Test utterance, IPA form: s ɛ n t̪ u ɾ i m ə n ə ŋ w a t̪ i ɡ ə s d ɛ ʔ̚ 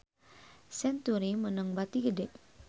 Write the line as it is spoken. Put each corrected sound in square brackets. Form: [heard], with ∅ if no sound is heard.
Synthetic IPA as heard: s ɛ n t̪ u ɾ i m ə n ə ŋ [b] a t̪ i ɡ ə [∅] d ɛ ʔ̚